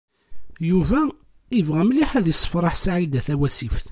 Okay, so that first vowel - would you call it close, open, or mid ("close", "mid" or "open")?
close